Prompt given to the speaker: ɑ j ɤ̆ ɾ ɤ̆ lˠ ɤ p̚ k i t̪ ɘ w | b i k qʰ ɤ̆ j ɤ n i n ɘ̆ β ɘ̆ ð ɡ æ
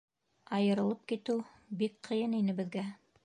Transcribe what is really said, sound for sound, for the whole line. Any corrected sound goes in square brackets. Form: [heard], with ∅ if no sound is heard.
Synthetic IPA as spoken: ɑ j ɤ̆ ɾ ɤ̆ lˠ ɤ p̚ k i t̪ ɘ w | b i k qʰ ɤ̆ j ɤ n i n ɘ̆ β ɘ̆ ð ɡ æ